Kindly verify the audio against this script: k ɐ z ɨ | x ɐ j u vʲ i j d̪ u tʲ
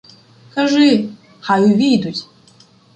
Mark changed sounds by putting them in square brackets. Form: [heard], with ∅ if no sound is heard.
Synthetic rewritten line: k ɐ [ʐ] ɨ | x [a] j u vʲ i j d̪ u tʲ